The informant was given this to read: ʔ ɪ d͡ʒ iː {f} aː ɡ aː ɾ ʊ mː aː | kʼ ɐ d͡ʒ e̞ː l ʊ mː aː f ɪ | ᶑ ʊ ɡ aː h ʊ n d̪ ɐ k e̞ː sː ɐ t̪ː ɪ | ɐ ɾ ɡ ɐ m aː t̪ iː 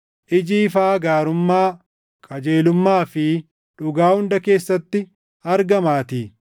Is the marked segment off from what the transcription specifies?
no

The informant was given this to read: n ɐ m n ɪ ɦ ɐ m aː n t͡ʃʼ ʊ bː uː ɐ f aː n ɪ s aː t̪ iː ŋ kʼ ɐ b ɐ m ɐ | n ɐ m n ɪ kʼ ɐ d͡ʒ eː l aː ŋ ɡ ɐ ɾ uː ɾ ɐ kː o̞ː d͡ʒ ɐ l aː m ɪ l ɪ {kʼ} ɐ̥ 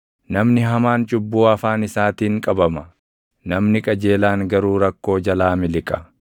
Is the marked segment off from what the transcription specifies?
no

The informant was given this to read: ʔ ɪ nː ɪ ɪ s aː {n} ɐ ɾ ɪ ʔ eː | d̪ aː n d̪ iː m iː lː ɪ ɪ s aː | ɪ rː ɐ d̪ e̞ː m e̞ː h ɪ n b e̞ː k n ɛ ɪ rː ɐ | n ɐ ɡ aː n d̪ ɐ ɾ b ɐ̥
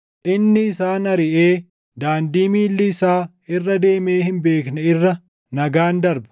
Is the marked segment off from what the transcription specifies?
no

